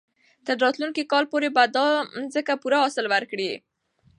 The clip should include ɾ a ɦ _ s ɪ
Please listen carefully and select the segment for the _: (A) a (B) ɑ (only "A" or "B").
B